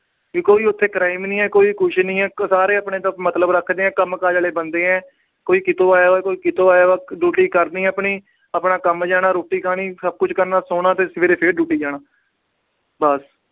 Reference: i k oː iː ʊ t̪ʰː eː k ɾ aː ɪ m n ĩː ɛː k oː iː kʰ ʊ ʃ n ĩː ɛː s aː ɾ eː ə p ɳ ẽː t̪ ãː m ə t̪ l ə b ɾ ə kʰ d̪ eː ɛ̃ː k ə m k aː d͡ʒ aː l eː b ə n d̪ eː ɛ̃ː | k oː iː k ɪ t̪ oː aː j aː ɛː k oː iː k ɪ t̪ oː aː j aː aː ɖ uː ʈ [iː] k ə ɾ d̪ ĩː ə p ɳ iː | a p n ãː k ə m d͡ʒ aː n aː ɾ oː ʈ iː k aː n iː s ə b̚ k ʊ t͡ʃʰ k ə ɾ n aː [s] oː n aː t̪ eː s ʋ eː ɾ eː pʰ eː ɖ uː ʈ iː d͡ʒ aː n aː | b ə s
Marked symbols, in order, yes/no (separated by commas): yes, yes